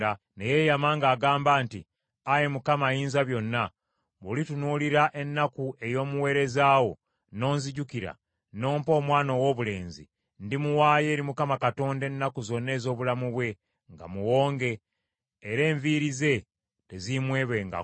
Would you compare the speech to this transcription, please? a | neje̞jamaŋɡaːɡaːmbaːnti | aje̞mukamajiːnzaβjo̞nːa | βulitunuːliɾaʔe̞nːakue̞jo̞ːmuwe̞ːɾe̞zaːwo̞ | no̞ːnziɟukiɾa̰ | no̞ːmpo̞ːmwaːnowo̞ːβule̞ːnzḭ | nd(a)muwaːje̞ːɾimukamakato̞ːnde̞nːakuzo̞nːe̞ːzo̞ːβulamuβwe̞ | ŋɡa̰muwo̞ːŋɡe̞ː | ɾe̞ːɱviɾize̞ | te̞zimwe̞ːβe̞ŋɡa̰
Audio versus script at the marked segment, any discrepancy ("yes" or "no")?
yes